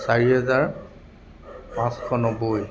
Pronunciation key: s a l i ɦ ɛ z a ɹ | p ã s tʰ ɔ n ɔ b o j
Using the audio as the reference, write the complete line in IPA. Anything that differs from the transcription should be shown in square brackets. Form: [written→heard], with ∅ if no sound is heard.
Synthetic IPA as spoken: s a [l→ɹ] i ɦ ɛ z a ɹ | p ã s [tʰ→kʰ] ɔ n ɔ b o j